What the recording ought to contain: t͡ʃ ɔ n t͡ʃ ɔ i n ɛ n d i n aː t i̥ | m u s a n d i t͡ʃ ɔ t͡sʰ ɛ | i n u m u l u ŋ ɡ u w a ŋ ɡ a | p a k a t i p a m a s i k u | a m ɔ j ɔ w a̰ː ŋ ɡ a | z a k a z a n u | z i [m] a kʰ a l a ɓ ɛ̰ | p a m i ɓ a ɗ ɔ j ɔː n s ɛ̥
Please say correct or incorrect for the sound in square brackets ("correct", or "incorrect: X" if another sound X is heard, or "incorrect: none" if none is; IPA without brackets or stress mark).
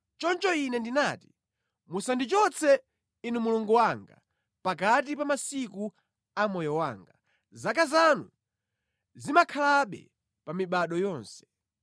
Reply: correct